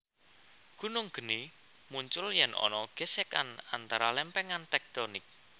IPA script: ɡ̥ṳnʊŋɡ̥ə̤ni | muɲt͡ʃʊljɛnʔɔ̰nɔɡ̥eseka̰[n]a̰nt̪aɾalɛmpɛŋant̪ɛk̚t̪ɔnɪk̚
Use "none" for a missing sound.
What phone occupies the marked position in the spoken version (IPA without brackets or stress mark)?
n